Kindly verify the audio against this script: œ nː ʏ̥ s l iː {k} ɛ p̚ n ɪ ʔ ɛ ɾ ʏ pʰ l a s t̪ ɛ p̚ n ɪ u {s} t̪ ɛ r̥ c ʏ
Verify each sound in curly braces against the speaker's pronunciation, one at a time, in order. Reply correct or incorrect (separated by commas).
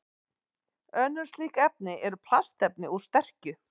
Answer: correct, correct